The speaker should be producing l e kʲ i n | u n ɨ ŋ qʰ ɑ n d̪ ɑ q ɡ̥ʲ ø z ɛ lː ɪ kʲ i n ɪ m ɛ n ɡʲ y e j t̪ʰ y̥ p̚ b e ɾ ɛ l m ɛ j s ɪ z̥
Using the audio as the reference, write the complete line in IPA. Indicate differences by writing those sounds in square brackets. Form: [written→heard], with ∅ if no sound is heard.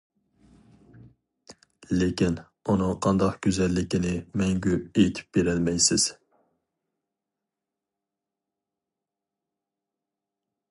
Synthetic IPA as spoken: l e kʲ i n | u n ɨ ŋ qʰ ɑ n d̪ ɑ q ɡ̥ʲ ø z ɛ lː ɪ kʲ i n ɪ m ɛ [n→ŋ] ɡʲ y e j t̪ʰ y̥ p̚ b e ɾ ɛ l m ɛ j s ɪ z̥